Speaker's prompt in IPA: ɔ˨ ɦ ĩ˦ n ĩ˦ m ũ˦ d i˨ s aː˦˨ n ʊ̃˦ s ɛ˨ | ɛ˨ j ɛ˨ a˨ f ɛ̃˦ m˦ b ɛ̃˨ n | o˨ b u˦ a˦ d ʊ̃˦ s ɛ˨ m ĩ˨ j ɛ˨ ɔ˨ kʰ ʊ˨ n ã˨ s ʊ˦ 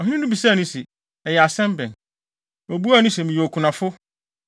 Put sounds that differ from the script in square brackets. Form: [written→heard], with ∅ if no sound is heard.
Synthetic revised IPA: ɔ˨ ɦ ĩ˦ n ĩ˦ [m→n] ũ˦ [d→b] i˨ s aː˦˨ n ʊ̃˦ s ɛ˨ | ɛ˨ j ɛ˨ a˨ [f→s] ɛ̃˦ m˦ b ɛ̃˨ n | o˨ b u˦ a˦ [d→n] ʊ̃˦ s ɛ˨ m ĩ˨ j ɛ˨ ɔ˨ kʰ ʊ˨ n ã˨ [s→f] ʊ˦